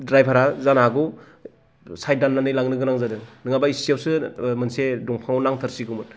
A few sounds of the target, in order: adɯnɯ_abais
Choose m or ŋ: ŋ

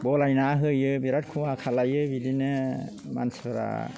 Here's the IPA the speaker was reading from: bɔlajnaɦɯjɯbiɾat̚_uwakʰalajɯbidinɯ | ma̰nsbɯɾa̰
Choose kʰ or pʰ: kʰ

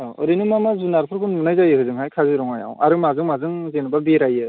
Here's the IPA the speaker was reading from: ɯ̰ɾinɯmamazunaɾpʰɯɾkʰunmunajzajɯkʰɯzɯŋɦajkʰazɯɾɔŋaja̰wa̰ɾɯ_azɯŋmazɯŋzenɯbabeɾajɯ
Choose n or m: m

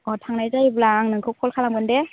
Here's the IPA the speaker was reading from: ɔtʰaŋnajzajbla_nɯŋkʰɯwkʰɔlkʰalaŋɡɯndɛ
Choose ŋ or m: ŋ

